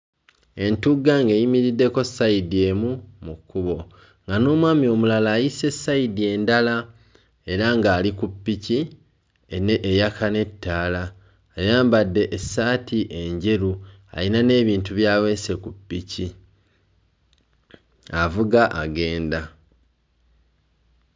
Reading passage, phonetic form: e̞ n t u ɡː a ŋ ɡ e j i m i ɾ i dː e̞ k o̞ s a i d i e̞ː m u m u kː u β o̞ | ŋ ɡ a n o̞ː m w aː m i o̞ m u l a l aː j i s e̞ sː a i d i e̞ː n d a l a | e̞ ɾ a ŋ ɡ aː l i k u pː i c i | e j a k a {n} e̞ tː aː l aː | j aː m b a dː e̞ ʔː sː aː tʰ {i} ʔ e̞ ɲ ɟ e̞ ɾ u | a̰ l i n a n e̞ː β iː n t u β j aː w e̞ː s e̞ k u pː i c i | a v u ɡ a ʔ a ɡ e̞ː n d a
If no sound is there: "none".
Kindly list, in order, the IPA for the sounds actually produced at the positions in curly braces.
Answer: n, i

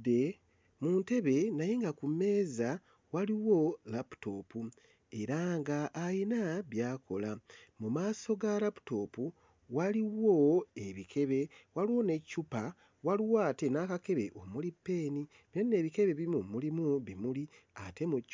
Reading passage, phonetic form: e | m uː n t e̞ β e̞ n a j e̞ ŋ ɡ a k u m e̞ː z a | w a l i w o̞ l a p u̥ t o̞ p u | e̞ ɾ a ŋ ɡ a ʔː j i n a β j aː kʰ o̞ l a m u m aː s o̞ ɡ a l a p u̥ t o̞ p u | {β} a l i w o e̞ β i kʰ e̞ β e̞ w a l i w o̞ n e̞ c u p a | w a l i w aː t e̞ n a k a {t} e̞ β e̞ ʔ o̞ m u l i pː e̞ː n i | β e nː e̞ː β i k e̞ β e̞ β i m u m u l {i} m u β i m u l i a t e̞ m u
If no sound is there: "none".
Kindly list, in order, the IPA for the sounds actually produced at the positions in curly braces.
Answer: w, k, i

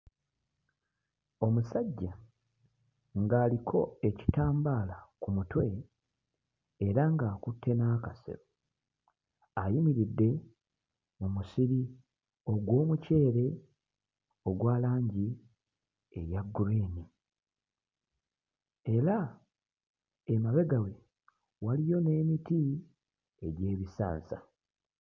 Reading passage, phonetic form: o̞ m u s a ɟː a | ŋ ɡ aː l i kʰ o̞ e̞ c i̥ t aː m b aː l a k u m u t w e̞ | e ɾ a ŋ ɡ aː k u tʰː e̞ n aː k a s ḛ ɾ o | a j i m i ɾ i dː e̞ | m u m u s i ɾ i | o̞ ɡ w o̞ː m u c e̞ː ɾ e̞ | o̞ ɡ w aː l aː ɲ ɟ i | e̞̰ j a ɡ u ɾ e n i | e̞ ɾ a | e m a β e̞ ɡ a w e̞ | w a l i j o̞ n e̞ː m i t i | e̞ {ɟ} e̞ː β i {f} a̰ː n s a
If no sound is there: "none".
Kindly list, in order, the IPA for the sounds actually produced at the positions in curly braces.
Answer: ɟ, s

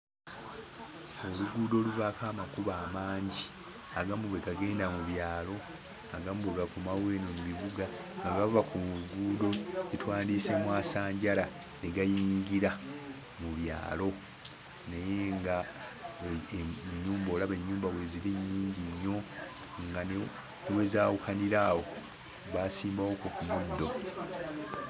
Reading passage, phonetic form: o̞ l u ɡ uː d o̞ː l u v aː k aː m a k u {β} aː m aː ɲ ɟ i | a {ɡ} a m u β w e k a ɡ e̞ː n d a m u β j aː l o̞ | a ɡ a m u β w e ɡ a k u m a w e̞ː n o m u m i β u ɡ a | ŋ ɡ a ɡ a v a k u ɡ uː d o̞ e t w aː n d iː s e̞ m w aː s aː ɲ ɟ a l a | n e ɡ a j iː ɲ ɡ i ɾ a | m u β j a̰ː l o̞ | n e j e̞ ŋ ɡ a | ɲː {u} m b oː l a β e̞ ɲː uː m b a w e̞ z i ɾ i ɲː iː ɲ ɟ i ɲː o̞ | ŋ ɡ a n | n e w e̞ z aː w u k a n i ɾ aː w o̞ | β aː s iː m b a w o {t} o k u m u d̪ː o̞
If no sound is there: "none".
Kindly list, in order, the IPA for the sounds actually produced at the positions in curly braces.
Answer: β, ɡ, uː, k

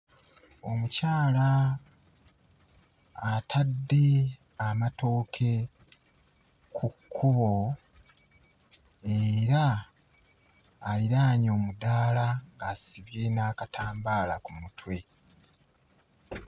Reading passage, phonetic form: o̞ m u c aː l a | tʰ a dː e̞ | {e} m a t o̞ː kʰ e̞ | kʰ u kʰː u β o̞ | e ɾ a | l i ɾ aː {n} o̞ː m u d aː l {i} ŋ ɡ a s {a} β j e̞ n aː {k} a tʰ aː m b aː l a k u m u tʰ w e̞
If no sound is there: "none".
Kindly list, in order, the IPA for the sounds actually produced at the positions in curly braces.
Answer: a, ɲ, a, i, k

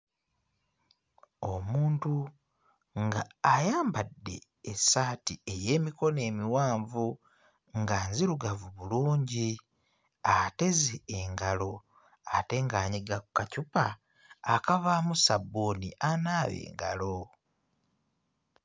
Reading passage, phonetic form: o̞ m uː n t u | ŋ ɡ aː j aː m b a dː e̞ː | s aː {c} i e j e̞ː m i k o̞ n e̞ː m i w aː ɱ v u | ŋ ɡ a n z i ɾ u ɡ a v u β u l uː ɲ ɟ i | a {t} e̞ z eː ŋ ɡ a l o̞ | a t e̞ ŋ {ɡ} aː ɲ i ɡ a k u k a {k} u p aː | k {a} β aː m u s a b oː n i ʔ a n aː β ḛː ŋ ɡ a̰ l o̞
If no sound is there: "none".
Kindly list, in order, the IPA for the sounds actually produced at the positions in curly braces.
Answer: t, t, ɡ, c, a

